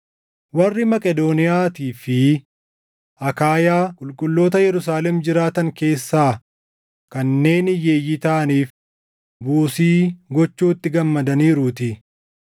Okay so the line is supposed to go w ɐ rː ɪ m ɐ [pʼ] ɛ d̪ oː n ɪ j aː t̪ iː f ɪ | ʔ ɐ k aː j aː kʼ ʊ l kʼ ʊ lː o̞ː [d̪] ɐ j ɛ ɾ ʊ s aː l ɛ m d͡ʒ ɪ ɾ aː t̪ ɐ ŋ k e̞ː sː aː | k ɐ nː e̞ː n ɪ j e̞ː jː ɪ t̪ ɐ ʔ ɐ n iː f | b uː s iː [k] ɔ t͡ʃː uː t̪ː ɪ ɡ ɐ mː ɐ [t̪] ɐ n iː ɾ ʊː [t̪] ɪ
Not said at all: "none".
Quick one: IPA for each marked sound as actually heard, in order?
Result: kʼ, t̪, ɡ, d̪, t̪

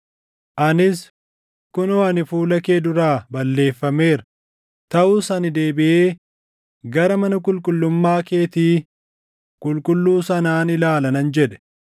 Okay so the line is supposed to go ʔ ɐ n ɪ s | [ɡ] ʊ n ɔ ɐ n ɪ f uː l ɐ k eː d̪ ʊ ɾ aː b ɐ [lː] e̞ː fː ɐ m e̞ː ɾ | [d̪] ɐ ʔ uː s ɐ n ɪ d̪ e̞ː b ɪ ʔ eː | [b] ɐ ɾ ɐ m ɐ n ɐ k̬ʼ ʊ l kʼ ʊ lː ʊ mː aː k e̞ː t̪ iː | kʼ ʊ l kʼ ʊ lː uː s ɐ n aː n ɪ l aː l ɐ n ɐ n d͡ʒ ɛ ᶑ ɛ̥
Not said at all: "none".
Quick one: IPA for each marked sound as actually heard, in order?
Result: k, lː, t̪, ɡ

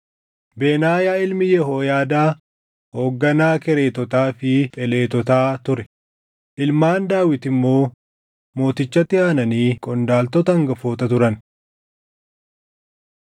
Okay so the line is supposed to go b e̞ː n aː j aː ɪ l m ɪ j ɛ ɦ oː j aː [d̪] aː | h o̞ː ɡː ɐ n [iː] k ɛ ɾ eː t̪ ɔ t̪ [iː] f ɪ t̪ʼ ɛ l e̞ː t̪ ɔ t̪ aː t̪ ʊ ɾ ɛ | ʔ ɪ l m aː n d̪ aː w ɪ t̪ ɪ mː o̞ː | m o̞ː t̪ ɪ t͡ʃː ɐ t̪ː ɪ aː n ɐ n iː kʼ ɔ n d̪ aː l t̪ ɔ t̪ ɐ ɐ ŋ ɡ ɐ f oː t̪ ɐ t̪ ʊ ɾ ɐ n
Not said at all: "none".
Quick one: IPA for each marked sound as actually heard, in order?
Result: d̪, aː, aː

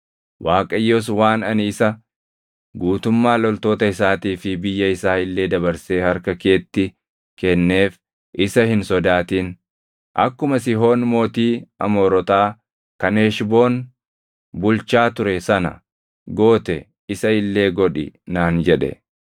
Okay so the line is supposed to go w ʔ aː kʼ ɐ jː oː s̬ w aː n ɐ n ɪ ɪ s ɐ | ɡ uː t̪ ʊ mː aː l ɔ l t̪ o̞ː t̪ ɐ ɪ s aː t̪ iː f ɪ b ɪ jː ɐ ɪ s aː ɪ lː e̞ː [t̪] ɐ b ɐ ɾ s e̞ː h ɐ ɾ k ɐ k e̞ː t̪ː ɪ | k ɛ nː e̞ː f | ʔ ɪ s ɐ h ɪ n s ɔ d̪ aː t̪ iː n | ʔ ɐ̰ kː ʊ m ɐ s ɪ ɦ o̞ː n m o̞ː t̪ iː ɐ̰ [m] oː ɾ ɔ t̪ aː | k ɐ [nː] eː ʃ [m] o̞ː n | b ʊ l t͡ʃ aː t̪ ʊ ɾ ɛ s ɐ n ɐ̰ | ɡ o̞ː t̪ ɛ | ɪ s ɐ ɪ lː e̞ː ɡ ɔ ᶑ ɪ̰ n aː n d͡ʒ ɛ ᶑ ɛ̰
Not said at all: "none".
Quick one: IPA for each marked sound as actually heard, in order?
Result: d̪, m, n, b

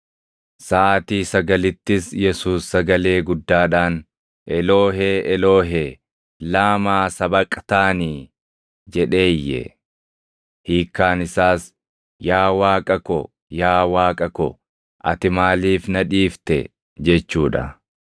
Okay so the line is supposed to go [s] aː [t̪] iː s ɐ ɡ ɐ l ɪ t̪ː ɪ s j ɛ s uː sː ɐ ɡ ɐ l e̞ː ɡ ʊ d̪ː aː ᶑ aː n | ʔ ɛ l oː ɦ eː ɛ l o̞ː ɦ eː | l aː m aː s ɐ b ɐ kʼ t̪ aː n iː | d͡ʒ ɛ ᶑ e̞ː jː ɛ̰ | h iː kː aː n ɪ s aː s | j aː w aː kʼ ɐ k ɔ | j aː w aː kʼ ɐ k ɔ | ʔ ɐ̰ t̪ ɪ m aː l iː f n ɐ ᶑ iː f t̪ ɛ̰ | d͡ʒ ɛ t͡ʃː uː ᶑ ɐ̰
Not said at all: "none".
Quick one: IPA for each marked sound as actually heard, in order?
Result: s, t̪

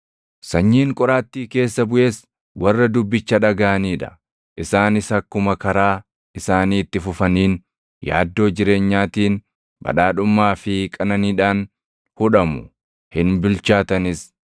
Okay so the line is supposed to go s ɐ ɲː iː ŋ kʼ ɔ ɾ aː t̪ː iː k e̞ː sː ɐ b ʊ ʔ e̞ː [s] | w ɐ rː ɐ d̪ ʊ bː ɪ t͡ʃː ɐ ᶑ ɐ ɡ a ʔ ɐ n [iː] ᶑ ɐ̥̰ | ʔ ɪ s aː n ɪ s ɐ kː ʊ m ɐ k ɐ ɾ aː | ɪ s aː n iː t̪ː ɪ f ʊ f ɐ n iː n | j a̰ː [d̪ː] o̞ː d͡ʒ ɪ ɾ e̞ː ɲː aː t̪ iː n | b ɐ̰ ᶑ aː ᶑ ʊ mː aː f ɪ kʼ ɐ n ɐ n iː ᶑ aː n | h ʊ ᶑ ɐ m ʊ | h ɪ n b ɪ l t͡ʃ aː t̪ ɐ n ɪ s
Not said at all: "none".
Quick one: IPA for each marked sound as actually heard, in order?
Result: s, iː, d̪ː

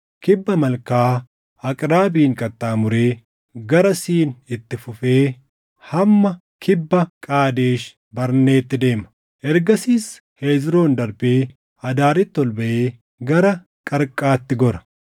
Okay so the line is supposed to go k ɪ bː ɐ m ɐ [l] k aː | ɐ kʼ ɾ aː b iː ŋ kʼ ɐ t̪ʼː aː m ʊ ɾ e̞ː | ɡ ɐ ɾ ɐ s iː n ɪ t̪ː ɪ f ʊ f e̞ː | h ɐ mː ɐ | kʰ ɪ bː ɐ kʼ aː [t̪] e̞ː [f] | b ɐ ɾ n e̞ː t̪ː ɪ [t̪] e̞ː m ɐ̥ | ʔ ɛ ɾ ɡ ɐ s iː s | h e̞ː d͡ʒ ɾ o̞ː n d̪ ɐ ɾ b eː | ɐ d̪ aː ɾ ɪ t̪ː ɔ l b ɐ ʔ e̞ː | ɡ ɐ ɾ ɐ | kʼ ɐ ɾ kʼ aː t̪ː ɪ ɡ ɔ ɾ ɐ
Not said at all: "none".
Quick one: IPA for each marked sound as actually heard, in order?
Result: l, d̪, ʃ, d̪

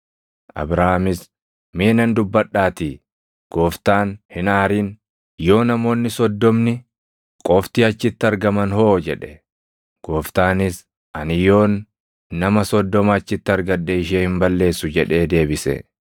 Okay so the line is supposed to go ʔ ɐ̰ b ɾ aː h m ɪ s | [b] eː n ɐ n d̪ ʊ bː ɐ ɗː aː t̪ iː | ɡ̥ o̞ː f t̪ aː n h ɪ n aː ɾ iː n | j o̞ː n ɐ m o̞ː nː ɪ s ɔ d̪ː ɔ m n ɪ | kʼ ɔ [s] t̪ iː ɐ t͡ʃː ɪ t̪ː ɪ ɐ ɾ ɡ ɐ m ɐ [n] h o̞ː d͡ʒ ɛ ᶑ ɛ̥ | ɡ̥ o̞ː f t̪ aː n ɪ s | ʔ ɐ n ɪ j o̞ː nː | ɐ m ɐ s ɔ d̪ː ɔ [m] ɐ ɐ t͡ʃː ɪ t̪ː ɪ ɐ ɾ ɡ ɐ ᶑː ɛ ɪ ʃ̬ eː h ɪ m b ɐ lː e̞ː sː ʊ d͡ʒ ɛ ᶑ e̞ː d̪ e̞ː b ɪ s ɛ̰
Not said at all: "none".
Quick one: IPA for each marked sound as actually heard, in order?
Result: m, f, n, m

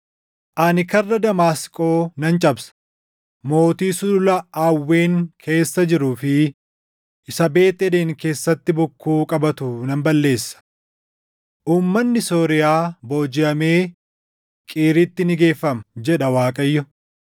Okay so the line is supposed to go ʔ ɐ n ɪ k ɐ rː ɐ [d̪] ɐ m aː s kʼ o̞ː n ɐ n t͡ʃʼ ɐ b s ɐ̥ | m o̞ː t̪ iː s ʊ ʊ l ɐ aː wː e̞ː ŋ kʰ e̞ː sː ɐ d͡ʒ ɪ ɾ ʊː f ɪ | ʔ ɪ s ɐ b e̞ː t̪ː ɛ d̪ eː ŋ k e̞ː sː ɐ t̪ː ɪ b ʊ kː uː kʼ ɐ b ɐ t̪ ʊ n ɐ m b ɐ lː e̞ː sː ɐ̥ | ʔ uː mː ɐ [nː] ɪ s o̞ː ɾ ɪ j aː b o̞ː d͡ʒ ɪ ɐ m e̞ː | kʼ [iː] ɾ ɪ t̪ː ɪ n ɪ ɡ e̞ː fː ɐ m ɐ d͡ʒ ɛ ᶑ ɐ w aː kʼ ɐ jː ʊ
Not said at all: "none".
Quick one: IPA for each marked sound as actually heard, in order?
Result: d̪, nː, iː

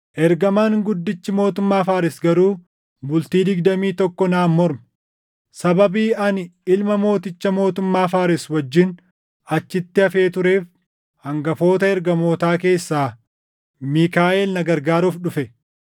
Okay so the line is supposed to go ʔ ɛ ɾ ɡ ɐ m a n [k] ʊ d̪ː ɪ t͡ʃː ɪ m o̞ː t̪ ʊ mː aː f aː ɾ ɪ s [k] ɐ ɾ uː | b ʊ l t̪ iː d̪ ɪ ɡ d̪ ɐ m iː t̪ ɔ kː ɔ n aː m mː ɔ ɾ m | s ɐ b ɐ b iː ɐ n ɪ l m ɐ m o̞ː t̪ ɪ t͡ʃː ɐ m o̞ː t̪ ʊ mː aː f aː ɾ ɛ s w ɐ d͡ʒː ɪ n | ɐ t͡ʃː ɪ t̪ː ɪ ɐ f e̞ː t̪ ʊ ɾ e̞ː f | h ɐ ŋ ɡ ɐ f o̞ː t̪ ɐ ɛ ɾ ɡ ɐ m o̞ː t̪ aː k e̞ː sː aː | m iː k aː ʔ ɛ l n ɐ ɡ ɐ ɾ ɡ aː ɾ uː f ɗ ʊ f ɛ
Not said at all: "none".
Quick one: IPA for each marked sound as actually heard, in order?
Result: ɡ, ɡ

